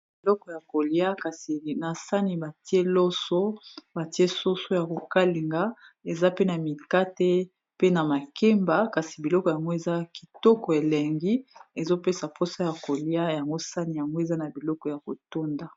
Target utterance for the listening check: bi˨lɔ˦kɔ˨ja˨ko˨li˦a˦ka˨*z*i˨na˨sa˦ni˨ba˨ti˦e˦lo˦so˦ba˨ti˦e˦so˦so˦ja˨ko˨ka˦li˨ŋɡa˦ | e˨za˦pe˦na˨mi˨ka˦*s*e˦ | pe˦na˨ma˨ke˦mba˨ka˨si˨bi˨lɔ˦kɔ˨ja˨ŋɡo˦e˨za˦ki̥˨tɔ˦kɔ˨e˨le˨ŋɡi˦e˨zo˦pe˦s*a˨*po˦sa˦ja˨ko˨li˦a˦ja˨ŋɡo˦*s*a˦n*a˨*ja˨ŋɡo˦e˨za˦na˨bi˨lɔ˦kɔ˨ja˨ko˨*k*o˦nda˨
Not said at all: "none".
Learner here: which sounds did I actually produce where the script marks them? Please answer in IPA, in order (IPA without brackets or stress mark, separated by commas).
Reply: s, t, a˨, s, i˨, t